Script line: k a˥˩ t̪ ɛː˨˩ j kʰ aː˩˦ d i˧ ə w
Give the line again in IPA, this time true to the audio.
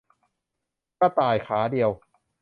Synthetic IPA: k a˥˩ t̪ aː˨˩ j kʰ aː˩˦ d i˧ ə w